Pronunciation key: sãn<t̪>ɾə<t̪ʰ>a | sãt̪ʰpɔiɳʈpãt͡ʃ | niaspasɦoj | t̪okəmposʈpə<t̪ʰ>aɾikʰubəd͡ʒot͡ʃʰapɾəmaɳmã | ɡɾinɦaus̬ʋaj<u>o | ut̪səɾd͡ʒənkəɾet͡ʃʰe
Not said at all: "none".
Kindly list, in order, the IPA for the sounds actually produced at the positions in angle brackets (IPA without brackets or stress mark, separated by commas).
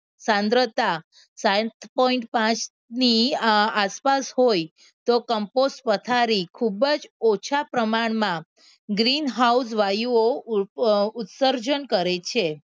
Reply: d̪, t̪, t̪ʰ, u